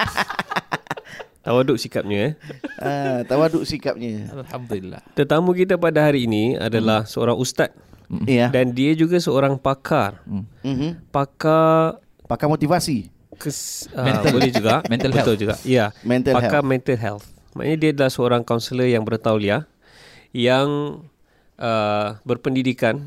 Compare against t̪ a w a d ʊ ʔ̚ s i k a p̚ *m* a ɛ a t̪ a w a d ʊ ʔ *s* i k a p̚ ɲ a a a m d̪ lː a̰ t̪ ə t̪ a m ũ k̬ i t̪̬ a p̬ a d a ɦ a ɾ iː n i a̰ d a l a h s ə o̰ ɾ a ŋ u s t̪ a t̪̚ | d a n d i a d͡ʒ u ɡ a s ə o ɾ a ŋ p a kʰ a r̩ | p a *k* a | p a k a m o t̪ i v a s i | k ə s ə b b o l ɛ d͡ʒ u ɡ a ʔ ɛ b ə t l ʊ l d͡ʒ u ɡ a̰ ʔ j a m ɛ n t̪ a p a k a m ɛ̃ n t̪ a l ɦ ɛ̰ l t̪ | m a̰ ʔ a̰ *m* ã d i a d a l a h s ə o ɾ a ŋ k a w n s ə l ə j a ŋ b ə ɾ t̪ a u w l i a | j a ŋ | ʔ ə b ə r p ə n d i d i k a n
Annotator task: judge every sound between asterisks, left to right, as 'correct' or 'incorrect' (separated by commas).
incorrect, correct, correct, incorrect